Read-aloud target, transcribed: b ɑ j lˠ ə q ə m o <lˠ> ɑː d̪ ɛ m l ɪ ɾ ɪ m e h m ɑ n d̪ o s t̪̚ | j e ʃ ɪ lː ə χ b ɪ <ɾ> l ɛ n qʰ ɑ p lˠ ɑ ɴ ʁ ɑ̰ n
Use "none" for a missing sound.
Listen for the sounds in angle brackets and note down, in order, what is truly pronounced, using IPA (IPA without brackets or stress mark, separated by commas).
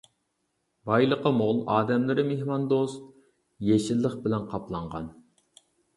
lˠ, none